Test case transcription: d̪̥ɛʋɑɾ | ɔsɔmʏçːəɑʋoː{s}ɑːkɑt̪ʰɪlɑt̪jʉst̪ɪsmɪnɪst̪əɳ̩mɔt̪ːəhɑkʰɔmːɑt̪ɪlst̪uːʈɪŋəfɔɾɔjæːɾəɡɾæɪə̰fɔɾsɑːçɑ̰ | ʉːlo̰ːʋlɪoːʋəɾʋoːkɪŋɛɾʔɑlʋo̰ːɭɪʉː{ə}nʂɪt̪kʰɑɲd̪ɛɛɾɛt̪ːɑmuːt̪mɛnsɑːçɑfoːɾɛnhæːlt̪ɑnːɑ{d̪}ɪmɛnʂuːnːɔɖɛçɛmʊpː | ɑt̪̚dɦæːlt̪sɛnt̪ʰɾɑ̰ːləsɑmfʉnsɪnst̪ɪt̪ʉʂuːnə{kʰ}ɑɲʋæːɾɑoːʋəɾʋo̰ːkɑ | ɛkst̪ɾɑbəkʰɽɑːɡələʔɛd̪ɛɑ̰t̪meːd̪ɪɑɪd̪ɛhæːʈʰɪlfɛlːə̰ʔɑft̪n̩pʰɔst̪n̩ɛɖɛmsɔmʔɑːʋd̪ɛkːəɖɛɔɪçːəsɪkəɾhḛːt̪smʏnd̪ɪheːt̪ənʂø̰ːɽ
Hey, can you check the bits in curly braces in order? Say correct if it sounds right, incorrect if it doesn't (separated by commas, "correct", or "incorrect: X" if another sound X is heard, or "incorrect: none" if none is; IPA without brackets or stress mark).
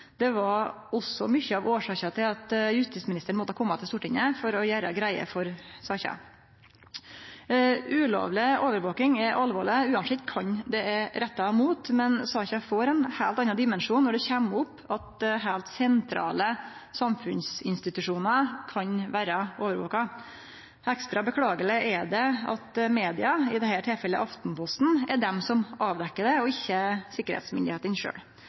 incorrect: ʂ, incorrect: ɑ, correct, correct